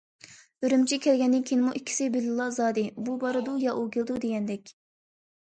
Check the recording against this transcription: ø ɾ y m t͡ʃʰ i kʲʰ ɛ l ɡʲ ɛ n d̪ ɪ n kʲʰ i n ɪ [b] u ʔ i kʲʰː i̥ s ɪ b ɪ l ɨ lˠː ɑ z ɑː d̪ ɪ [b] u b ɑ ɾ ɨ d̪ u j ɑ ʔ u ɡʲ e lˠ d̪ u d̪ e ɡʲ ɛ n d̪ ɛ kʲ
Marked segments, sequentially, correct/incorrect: incorrect: m, correct

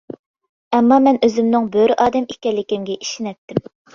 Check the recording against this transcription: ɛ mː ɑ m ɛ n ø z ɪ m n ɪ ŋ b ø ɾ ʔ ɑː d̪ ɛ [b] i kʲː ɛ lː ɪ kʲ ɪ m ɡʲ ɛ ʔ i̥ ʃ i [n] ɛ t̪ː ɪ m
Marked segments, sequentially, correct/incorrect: incorrect: m, correct

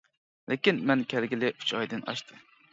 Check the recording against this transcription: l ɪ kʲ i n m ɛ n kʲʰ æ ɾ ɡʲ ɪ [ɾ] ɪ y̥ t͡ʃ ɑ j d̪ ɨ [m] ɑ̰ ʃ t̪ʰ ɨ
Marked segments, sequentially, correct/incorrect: incorrect: l, incorrect: n

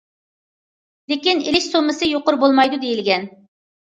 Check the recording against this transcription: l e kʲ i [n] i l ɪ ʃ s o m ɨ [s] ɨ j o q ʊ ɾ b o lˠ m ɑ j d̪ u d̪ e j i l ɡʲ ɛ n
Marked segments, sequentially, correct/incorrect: correct, correct

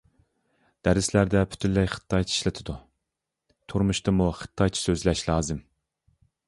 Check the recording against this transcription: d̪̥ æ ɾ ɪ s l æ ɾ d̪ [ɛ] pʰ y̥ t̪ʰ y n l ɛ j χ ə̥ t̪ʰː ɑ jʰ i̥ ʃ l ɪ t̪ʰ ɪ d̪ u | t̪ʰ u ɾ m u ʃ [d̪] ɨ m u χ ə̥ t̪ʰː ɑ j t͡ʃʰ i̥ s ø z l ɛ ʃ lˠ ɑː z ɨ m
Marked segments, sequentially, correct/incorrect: correct, incorrect: t̪

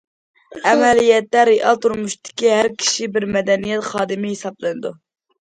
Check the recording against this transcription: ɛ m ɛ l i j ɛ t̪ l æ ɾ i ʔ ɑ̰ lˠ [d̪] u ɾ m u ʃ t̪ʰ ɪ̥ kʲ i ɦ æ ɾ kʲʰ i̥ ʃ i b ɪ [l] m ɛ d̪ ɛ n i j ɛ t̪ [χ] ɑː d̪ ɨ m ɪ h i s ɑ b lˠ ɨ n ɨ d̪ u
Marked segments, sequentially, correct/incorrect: incorrect: t̪, incorrect: ɾ, correct

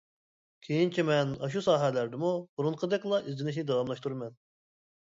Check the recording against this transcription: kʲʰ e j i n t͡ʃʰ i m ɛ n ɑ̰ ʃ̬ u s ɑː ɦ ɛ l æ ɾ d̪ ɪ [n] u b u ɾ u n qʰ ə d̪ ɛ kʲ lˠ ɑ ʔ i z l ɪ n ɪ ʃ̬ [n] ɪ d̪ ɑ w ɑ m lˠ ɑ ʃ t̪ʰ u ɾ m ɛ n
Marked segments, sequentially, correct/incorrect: incorrect: m, correct

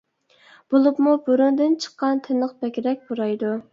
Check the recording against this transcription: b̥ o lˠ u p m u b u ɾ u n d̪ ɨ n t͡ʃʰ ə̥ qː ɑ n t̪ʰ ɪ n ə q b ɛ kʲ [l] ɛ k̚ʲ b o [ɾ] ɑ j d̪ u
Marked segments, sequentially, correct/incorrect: incorrect: ɾ, correct

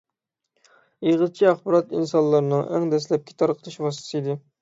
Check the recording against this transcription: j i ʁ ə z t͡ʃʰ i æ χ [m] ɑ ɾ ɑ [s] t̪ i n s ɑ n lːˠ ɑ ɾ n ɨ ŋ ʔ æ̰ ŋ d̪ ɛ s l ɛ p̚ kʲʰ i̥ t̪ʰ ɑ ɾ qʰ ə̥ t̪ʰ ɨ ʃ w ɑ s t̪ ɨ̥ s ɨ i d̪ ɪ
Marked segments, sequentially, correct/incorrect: incorrect: b, incorrect: none

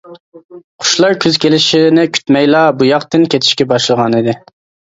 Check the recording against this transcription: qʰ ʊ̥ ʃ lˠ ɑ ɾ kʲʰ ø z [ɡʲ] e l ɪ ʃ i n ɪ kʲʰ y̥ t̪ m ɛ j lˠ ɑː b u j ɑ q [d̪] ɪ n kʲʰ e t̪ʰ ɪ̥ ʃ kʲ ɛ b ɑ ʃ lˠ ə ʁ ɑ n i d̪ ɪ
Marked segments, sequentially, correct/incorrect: incorrect: kʲ, incorrect: t̪

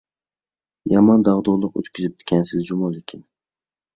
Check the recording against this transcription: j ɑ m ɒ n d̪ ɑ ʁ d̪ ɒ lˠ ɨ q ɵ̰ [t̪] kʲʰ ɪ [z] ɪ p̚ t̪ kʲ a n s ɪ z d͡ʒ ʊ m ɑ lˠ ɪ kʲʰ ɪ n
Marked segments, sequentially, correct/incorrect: correct, correct

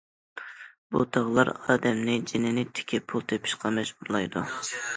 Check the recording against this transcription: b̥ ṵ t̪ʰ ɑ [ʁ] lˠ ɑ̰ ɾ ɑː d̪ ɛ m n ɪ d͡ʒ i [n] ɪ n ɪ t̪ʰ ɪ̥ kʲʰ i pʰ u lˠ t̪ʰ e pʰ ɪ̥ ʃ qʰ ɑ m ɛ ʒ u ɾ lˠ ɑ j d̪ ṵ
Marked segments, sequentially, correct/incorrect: correct, correct

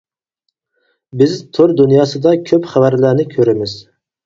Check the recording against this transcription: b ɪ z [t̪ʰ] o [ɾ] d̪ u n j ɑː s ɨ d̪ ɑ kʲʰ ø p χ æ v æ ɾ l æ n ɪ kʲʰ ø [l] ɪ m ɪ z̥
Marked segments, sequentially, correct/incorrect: correct, correct, incorrect: ɾ

